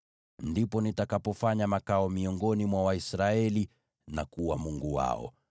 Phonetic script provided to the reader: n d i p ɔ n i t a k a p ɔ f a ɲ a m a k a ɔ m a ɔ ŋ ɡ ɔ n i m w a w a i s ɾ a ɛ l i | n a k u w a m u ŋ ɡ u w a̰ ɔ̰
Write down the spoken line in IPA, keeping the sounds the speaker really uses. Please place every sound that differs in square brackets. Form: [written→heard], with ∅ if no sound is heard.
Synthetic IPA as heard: n d i p ɔ n i t a k a p ɔ f a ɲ a m a k a ɔ m [a→i] ɔ ŋ ɡ ɔ n i m w a w a i s ɾ a ɛ l i | n a k u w a m u ŋ ɡ u w a̰ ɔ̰